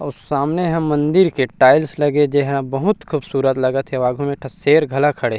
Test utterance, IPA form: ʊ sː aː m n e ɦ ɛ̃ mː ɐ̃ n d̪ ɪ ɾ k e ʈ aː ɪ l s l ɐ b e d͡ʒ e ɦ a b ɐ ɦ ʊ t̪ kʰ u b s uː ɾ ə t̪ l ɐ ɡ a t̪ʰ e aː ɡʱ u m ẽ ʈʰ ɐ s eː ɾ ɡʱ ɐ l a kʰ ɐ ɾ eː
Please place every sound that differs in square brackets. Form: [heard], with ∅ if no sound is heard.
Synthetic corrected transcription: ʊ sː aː m n e ɦ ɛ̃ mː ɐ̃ n d̪ ɪ ɾ k e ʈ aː ɪ l s l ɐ [ɡ] e d͡ʒ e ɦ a b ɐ ɦ ʊ t̪ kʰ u b s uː ɾ ə t̪ l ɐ ɡ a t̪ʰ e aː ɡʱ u m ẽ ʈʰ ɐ s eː ɾ ɡʱ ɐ l a kʰ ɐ [ɽ] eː